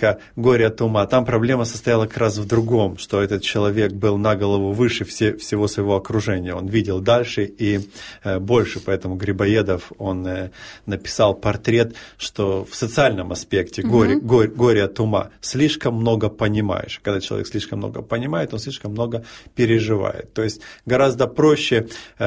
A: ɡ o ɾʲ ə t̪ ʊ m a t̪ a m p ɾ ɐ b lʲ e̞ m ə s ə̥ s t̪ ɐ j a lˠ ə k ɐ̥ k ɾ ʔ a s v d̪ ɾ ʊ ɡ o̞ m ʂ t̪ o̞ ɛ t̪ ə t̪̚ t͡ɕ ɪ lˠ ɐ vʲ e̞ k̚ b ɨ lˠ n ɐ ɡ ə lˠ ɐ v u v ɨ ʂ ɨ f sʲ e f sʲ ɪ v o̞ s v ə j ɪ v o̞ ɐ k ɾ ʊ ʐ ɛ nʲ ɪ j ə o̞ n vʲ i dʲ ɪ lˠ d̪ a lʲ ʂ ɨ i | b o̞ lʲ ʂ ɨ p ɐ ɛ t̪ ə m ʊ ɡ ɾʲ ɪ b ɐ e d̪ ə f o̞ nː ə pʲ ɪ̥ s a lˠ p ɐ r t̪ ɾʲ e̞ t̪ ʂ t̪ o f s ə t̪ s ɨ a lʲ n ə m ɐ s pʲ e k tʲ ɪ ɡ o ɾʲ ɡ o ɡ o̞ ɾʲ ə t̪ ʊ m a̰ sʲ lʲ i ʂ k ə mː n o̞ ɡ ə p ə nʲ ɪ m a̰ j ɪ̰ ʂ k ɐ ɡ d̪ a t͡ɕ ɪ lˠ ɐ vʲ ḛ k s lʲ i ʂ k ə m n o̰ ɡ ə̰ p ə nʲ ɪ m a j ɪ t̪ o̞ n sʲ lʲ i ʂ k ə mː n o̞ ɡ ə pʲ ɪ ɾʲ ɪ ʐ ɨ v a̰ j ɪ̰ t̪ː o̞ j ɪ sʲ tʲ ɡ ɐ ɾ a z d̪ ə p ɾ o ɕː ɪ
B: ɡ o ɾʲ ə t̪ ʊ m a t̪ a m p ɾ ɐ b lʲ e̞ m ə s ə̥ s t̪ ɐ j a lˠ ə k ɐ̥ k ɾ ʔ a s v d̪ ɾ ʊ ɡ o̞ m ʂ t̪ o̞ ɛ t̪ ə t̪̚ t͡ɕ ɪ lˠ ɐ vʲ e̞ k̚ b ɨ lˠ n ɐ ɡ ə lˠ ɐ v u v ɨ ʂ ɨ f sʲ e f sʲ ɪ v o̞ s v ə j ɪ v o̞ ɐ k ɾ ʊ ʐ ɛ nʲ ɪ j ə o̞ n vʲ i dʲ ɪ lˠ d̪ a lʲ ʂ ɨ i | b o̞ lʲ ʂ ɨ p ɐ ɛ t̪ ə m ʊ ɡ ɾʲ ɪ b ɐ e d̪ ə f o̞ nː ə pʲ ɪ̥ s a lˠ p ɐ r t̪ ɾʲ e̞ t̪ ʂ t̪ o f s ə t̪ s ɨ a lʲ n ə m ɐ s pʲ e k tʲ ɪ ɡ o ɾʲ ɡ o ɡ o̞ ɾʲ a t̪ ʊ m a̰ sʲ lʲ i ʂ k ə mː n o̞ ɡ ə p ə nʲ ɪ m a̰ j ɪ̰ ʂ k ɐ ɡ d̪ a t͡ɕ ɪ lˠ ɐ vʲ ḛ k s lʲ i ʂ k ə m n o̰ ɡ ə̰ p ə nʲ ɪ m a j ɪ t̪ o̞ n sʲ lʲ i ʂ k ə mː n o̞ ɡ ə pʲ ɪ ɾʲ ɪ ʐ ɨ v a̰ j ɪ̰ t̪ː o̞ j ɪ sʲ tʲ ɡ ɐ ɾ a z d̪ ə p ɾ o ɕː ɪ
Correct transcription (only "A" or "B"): A